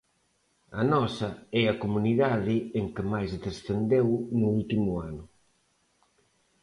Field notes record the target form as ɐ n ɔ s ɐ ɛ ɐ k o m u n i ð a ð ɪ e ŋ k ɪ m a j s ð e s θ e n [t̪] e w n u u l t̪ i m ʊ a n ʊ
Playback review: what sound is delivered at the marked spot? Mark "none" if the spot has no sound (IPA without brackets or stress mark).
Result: d̪